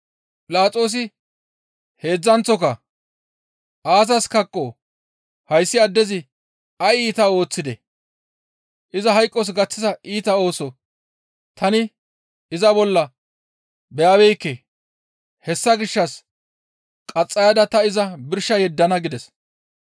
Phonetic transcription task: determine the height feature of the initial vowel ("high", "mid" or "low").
high